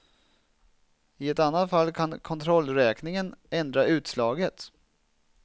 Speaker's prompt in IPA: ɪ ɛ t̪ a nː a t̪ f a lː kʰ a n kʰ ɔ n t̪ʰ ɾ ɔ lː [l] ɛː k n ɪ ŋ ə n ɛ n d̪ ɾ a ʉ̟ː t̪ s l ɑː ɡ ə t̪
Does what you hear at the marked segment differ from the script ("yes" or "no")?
yes